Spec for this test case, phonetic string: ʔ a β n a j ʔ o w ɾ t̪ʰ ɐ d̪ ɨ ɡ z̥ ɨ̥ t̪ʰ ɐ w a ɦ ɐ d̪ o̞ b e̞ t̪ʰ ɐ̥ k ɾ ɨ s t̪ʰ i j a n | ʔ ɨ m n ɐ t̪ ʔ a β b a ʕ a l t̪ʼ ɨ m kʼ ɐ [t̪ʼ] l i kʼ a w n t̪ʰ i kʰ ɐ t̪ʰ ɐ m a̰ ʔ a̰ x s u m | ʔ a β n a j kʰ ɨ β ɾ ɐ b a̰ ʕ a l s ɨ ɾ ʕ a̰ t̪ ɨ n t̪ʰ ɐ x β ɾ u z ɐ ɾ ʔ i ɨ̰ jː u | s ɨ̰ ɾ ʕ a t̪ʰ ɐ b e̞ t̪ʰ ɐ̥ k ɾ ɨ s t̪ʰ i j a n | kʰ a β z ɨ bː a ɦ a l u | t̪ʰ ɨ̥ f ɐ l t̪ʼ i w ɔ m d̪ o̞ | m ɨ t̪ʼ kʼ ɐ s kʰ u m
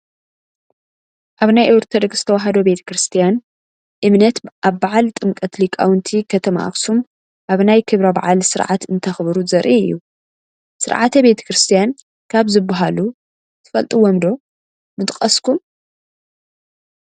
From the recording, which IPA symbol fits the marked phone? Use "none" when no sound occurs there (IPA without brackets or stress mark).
t̪